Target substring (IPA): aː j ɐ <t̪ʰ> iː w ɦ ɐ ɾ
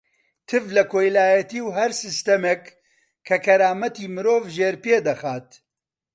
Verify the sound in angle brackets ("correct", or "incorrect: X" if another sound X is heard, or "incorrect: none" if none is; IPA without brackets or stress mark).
incorrect: t̪